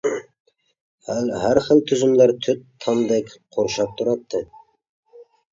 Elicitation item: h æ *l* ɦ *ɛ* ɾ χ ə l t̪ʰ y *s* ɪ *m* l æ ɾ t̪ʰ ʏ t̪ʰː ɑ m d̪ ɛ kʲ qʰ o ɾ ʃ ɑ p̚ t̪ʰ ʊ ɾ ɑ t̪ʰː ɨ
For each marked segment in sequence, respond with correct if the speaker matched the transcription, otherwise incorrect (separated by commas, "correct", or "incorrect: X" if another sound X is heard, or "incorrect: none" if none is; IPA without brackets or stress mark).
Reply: correct, incorrect: æ, incorrect: z, correct